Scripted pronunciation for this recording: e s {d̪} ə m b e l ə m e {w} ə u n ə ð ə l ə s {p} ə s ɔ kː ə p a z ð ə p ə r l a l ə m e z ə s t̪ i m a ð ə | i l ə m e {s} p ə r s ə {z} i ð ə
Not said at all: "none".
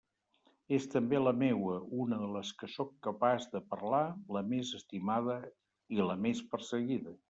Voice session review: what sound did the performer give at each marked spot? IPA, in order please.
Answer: t̪, w, k, s, ɣ

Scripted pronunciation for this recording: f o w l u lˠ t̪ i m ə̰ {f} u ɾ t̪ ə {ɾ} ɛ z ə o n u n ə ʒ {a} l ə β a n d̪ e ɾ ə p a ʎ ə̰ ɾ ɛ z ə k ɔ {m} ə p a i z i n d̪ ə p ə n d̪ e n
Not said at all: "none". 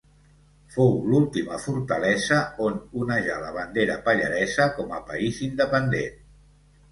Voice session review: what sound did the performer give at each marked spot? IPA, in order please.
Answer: f, l, a, m

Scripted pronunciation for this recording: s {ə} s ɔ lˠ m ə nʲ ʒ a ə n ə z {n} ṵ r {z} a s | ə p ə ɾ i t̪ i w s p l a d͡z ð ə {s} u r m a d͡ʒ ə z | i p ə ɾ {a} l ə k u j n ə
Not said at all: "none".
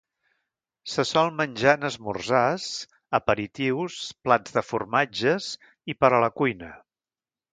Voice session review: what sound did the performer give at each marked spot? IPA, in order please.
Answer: ə, m, z, f, ə

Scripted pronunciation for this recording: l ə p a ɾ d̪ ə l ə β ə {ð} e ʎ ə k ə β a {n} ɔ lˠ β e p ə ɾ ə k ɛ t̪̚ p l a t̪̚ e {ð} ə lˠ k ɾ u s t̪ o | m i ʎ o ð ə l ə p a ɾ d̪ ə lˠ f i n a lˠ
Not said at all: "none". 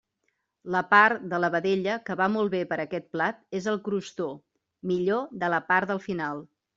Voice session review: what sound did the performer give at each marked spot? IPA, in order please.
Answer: ð, m, z

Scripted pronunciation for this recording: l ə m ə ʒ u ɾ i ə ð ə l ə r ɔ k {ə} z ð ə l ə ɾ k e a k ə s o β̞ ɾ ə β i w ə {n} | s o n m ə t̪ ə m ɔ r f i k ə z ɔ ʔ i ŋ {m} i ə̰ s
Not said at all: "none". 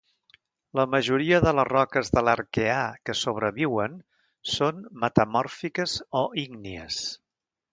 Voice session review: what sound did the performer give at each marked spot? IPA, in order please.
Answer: ə, n, n

